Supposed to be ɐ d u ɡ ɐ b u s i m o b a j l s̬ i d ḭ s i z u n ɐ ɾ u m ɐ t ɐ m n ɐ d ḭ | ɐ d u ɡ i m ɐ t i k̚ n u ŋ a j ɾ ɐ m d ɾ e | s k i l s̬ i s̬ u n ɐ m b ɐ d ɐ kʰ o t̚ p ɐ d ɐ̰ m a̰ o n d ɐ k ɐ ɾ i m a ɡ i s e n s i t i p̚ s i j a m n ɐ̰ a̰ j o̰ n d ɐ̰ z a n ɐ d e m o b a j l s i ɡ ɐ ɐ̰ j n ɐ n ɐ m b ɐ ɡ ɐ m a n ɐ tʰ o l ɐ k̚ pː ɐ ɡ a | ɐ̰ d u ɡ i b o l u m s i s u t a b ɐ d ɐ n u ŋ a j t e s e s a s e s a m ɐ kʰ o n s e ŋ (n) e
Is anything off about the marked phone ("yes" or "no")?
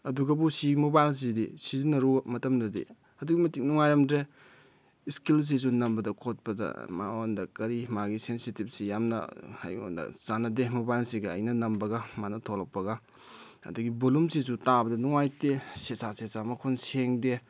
yes